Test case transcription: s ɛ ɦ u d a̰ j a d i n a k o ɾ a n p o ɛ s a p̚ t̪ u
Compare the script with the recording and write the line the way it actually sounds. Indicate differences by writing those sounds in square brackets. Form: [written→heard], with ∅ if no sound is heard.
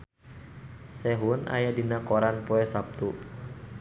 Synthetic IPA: s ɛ ɦ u [d→n] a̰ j a d i n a k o ɾ a n p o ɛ s a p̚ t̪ u